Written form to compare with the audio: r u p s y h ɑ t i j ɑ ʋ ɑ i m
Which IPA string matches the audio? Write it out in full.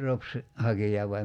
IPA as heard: r o p s i h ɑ k i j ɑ ʋ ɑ i m